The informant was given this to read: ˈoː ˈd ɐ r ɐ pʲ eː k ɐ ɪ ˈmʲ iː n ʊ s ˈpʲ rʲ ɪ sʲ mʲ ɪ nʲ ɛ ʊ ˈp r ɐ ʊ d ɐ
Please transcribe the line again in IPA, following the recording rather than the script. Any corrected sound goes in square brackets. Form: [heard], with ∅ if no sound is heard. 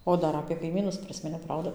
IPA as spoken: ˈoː ˈd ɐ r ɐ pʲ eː k ɐ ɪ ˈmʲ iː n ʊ s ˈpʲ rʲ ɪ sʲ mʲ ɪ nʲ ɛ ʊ ˈp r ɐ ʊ d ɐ